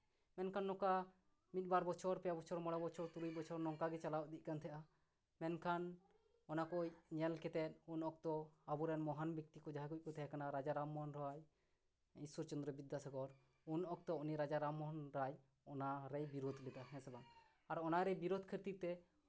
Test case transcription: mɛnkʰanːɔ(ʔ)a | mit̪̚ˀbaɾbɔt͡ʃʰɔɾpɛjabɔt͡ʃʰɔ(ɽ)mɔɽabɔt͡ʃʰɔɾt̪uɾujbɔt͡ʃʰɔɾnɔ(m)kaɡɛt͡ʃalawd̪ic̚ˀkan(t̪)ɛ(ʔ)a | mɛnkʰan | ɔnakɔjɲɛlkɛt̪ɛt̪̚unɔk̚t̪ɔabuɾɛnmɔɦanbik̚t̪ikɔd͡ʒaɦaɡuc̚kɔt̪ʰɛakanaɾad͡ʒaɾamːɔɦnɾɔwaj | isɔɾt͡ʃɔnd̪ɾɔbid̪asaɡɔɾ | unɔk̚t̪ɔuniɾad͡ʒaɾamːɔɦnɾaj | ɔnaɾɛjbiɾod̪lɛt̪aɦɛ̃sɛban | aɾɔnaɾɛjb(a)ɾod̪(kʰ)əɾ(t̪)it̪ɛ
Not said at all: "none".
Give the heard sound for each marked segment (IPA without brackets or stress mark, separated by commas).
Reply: k, ɾ, ŋ, t̪ʰ, ʔ, i, kʰ, t̪